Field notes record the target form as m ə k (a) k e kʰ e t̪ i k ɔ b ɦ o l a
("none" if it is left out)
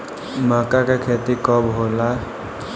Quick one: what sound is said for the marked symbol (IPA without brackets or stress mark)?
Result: a